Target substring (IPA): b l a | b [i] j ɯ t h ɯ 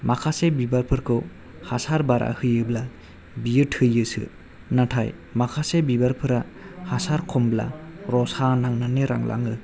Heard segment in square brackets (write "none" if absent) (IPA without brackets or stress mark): i